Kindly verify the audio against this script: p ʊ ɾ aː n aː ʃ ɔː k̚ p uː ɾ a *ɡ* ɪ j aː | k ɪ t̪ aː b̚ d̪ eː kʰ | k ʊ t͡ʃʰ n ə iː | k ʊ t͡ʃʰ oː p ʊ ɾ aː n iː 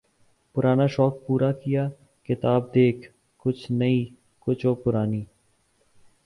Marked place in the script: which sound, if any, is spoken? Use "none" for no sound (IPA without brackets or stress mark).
k